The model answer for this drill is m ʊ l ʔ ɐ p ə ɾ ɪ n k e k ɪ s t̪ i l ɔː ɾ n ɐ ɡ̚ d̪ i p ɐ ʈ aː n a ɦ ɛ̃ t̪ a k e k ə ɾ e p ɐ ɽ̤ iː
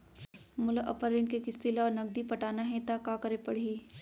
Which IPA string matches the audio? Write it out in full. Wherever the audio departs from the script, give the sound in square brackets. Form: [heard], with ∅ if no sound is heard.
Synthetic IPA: m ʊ l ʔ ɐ p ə ɾ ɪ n k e k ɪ s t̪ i l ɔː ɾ n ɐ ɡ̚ d̪ i p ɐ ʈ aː n a ɦ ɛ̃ t̪ a k [a] k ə ɾ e p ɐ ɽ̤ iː

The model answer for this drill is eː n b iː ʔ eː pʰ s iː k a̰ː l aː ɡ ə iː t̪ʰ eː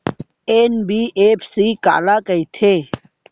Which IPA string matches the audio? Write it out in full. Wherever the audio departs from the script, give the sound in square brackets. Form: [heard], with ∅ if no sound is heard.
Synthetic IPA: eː n b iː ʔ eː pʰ s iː k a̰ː l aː [k] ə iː t̪ʰ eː

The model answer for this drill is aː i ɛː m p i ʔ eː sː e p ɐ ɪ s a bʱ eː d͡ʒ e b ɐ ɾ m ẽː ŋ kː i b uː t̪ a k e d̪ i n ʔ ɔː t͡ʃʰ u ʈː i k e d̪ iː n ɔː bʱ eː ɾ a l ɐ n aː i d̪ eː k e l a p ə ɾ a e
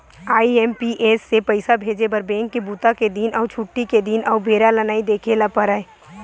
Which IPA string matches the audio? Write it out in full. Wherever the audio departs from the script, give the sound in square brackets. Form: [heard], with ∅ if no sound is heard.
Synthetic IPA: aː i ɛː m p i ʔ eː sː e p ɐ ɪ s a bʱ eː d͡ʒ e b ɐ ɾ [b] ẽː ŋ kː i b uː t̪ a k e d̪ i n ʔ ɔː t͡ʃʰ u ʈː i k e d̪ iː n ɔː bʱ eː ɾ a l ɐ n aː i d̪ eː [kʰ] e l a p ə ɾ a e

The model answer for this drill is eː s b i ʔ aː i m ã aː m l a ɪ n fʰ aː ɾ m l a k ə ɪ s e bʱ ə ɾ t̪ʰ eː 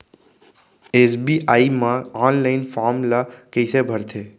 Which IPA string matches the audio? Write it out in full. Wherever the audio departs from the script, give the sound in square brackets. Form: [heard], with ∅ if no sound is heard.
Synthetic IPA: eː s b i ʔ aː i m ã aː [n] l a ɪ n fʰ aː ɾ m l a k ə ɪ s e bʱ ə ɾ t̪ʰ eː

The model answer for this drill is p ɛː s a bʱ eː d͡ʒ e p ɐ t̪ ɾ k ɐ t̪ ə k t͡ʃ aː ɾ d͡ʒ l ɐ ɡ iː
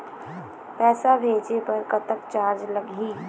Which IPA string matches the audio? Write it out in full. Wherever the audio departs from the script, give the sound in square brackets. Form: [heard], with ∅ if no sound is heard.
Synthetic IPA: p ɛː s a bʱ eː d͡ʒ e p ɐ [∅] ɾ k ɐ t̪ ə k t͡ʃ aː ɾ d͡ʒ l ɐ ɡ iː

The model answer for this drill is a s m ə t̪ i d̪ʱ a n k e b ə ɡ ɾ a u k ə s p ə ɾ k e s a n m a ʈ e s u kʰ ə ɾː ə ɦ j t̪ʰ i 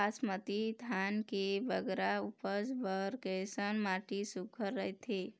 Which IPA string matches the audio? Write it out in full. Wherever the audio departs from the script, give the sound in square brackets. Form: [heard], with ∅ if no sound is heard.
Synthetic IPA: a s m ə t̪ i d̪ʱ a n k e b ə ɡ ɾ a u [p] ə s [b] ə ɾ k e s [ə] n m a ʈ [i] s u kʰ ə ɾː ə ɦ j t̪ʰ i

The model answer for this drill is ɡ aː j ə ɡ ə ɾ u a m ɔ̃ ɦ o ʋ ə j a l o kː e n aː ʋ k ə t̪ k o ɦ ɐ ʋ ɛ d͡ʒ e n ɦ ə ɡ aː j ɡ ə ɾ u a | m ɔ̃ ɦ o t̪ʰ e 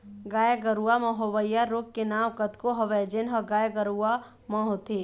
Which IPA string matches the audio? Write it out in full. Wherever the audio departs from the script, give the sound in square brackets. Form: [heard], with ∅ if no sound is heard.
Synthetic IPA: ɡ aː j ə ɡ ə ɾ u a m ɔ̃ ɦ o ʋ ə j a [ɾ] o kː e n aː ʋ k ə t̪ k o ɦ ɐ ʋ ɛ d͡ʒ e n ɦ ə ɡ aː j ɡ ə ɾ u a | m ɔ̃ ɦ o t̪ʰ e

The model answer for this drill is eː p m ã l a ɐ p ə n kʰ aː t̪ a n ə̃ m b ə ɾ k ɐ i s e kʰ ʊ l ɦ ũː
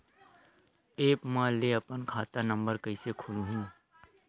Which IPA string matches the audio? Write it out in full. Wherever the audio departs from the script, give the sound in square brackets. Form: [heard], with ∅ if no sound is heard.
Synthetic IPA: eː p m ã l [e] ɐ p ə n kʰ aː t̪ a n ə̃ m b ə ɾ k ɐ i s e kʰ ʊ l ɦ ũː

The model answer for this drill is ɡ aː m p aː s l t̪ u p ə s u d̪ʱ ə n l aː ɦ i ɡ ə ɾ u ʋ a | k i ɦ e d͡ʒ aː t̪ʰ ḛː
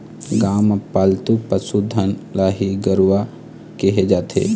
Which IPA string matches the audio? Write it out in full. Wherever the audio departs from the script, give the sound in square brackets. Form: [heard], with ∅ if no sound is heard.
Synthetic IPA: ɡ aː m p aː [∅] l t̪ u p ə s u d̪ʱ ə n l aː ɦ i ɡ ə ɾ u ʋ a | k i ɦ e d͡ʒ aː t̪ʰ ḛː

